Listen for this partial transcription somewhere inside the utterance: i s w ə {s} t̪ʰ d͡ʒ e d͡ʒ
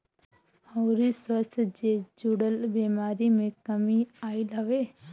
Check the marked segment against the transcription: correct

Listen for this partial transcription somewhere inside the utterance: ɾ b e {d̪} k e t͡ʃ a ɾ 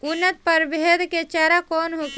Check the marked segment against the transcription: correct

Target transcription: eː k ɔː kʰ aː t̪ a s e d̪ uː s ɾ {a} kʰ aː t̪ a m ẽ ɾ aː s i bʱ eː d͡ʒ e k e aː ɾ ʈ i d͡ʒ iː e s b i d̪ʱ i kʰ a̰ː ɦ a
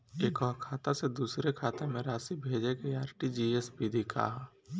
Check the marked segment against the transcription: incorrect: e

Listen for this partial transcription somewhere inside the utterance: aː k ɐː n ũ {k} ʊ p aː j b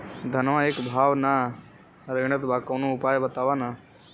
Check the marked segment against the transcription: incorrect: none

